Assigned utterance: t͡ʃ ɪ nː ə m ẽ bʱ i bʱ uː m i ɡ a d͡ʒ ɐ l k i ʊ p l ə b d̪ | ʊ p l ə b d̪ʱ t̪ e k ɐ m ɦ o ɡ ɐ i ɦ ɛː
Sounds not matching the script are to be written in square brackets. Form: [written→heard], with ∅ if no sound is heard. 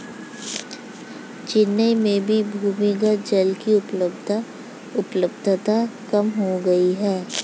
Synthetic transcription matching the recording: t͡ʃ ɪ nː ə m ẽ bʱ i bʱ uː m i ɡ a d͡ʒ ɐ l k i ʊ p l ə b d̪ | ʊ p l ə b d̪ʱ t̪ [e→a] k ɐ m ɦ o ɡ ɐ i ɦ ɛː